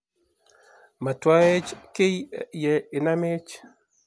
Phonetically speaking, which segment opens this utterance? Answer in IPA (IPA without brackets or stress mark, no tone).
m